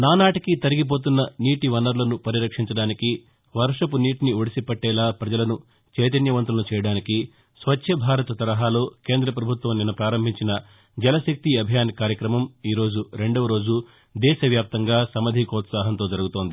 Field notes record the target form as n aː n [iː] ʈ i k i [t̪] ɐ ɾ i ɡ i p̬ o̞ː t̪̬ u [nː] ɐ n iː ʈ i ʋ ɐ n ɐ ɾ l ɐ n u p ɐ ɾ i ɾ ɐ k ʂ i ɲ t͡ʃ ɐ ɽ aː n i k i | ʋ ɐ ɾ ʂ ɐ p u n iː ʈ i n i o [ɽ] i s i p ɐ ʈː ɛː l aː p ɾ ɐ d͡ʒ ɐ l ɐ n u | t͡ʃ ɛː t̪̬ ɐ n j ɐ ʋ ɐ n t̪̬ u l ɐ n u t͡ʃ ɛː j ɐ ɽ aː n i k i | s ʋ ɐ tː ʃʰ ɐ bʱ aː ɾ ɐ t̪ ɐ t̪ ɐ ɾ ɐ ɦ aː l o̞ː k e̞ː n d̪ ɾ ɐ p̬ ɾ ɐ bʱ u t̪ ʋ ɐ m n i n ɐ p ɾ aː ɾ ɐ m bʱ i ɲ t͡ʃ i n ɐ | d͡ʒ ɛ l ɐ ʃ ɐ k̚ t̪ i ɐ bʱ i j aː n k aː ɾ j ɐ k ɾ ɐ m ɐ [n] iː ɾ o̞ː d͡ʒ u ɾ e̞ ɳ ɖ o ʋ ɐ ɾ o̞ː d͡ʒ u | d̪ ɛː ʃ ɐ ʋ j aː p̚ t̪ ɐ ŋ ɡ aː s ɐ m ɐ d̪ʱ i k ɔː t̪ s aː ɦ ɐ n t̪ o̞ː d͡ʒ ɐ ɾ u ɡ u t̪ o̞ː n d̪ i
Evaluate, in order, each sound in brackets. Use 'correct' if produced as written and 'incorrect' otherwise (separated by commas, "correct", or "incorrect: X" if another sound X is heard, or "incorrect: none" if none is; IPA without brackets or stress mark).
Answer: incorrect: aː, correct, correct, correct, incorrect: m